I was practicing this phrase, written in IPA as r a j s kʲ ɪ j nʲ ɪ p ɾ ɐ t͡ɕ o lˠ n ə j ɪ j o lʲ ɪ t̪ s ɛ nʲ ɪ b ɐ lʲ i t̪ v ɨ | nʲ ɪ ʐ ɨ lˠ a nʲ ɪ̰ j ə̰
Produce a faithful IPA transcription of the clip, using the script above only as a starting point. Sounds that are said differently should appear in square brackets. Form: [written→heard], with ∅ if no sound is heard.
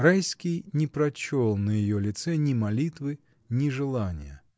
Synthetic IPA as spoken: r a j s kʲ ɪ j nʲ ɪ p ɾ ɐ t͡ɕ o lˠ n ə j ɪ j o lʲ ɪ t̪ s ɛ nʲ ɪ [b→m] ɐ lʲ i t̪ v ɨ | nʲ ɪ ʐ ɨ lˠ a nʲ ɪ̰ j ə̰